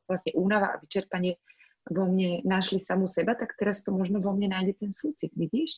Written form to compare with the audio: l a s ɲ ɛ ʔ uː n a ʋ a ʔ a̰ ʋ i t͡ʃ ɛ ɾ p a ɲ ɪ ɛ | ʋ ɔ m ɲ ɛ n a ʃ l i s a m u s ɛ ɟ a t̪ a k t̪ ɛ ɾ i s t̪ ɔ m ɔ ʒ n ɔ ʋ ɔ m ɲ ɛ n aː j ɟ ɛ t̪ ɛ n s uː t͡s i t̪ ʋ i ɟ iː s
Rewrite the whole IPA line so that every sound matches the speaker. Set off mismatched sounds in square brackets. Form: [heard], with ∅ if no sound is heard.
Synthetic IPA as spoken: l a s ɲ ɛ ʔ uː n a ʋ a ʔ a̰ ʋ i t͡ʃ ɛ ɾ p a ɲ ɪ ɛ | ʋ ɔ m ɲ ɛ n a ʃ l i s a m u s ɛ [b] a t̪ a k t̪ ɛ ɾ [a] s t̪ ɔ m ɔ ʒ n ɔ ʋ ɔ m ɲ ɛ n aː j ɟ ɛ t̪ ɛ n s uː t͡s i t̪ ʋ i ɟ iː [ʃ]